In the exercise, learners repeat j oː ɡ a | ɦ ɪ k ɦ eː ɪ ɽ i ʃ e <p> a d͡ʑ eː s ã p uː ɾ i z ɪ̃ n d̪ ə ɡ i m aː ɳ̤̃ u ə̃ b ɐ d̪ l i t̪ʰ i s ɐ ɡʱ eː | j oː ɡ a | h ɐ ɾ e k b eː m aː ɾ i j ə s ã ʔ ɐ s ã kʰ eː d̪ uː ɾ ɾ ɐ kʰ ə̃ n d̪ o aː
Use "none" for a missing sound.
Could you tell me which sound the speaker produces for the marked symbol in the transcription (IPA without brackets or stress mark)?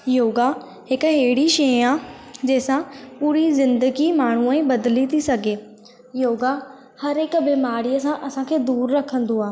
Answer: none